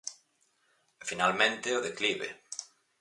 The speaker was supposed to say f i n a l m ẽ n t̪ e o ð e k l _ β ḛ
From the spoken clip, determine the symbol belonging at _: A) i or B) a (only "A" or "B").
A